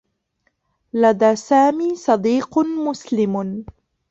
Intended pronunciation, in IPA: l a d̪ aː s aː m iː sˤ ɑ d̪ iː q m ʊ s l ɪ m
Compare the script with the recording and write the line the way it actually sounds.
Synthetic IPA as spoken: l a d̪ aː s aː m iː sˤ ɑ d̪ iː q m ʊ s l ɪ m